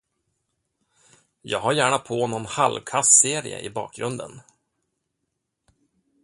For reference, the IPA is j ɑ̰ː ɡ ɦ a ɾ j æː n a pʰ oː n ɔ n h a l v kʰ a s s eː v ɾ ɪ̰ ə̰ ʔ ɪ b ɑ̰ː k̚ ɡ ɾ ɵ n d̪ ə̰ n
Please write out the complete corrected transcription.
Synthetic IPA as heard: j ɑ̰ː ɡ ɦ a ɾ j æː ɳ a pʰ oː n ɔ n h a l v kʰ a s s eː ɾ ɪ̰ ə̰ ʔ ɪ b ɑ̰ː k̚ ɡ ɾ ɵ n d̪ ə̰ n